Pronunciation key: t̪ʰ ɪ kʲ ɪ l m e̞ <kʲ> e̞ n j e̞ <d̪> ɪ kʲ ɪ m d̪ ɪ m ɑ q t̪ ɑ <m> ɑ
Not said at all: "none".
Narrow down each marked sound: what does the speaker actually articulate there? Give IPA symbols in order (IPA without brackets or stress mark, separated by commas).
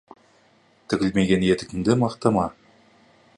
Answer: ɡʲ, t̪, m